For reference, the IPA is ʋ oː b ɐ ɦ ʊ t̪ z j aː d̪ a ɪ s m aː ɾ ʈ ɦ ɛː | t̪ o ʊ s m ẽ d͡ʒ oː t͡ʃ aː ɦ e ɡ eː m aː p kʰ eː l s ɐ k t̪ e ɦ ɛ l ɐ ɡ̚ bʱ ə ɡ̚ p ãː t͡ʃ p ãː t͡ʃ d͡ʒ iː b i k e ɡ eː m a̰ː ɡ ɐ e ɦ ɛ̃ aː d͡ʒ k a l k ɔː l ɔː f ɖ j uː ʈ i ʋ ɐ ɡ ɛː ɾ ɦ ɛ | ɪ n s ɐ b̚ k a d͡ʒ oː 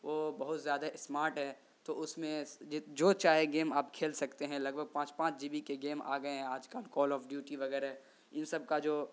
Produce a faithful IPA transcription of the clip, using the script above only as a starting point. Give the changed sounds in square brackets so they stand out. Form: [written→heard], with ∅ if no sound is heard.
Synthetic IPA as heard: ʋ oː b ɐ ɦ ʊ t̪ z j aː d̪ a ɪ s m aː ɾ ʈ ɦ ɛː | t̪ o ʊ s m ẽ d͡ʒ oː t͡ʃ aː ɦ e ɡ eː m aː p kʰ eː l s ɐ k t̪ e ɦ [ɛ→ɛ̃] l ɐ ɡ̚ bʱ ə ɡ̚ p ãː t͡ʃ p ãː t͡ʃ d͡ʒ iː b i k e ɡ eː m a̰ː ɡ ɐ e ɦ ɛ̃ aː d͡ʒ k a l k ɔː l ɔː f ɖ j uː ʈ i ʋ ɐ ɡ ɛː ɾ ɦ ɛ | ɪ n s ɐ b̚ k a d͡ʒ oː